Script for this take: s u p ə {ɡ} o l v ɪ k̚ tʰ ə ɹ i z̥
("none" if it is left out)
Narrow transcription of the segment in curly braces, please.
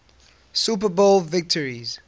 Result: b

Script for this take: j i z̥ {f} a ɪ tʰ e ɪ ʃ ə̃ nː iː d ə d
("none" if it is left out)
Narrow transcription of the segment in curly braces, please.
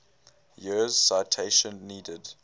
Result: s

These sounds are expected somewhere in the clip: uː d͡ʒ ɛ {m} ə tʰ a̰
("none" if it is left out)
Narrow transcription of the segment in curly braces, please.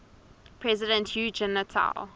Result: n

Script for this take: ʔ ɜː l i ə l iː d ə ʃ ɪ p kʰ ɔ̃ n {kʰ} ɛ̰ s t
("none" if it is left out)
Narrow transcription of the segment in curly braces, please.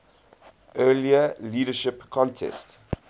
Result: tʰ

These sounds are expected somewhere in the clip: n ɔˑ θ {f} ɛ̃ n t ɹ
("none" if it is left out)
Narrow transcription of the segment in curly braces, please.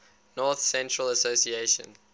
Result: s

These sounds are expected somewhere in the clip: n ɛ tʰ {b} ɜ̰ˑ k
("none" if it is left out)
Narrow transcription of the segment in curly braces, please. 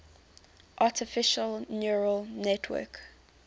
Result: w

